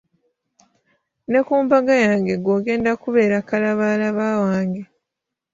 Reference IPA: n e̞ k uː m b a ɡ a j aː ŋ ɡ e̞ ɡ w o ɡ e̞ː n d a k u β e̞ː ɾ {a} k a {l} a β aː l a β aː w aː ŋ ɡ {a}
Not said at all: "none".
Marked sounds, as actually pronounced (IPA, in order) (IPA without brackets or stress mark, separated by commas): a, l, e